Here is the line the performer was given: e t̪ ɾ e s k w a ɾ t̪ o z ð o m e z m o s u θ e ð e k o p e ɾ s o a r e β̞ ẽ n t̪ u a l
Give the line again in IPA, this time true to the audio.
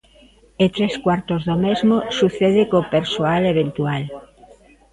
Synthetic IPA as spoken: e t̪ ɾ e s k w a ɾ t̪ o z ð o m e z m o s u θ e ð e k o p e ɾ s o a l e β̞ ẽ n t̪ u a l